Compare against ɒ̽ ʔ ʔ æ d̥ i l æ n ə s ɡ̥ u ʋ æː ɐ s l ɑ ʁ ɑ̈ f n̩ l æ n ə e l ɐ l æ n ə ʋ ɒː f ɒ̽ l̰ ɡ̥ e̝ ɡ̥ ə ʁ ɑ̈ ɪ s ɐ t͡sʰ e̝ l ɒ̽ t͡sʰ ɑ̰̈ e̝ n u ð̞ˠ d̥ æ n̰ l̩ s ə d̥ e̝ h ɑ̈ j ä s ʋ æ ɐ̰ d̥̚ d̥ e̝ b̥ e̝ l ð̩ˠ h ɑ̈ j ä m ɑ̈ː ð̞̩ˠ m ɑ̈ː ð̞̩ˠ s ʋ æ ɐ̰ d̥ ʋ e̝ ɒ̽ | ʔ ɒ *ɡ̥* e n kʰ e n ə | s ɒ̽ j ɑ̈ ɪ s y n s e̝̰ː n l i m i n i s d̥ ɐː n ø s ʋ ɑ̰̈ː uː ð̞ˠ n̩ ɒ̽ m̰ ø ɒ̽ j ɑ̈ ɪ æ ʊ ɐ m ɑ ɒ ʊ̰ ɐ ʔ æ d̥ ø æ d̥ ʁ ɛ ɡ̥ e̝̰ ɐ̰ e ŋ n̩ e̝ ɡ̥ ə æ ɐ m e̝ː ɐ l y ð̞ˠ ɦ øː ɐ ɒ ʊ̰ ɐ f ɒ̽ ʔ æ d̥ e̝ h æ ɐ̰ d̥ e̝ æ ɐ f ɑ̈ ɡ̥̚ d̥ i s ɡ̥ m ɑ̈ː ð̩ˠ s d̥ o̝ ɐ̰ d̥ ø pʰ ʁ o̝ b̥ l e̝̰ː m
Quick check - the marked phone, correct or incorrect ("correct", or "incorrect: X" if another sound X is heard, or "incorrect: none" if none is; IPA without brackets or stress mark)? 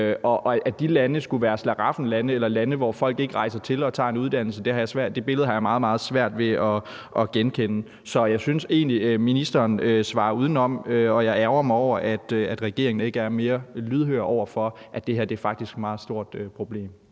correct